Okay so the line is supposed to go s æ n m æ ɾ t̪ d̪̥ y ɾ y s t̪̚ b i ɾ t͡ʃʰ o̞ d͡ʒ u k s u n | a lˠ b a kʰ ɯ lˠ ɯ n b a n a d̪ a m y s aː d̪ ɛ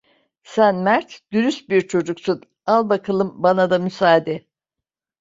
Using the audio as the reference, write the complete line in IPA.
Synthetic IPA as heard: s æ n m æ ɾ t̪ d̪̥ y ɾ y s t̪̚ b i ɾ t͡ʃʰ o̞ d͡ʒ u k s u n | a lˠ b a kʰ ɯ lˠ ɯ m b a n a d̪ a m y s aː d̪ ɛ